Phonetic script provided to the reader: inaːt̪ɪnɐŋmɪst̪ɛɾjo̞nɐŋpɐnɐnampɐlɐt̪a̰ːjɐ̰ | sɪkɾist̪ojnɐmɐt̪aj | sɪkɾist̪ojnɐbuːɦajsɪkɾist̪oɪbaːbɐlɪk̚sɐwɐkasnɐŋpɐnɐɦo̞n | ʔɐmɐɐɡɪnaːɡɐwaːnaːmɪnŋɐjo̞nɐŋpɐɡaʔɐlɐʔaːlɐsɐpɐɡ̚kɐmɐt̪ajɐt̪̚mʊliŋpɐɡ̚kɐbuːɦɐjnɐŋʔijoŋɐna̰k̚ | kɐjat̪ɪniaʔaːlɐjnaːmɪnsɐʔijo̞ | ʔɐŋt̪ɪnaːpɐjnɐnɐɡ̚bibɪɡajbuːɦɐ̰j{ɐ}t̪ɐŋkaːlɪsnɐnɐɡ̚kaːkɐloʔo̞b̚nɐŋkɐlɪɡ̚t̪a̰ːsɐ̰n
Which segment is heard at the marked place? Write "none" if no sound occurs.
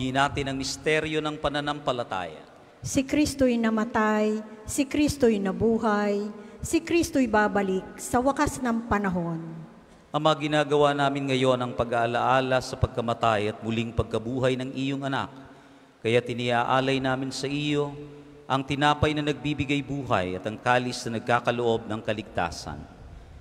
ɐ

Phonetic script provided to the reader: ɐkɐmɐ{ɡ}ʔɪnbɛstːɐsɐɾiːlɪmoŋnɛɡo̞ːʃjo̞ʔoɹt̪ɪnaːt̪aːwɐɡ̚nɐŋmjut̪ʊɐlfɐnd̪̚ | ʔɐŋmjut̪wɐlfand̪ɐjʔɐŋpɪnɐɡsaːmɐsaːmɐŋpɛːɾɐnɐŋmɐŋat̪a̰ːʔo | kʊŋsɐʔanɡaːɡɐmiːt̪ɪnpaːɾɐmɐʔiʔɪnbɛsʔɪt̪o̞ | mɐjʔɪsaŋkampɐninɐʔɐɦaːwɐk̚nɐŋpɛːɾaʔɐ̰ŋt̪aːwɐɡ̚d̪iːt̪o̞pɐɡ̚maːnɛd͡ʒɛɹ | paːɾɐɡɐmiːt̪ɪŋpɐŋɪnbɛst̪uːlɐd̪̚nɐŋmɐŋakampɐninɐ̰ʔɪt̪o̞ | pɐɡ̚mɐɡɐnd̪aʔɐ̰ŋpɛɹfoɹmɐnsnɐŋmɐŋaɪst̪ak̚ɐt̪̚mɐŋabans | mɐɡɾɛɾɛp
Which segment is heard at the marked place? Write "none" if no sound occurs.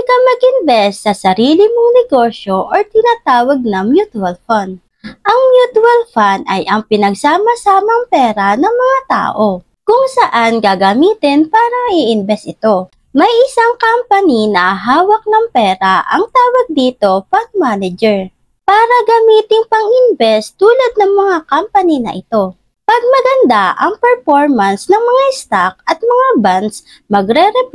ɡ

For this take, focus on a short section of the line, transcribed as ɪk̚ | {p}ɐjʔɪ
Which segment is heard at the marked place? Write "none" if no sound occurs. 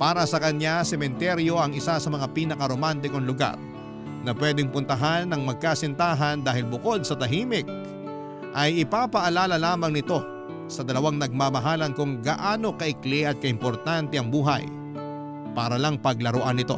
ʔ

